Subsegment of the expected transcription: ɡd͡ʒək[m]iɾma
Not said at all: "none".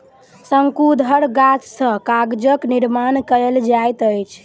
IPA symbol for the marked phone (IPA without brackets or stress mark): n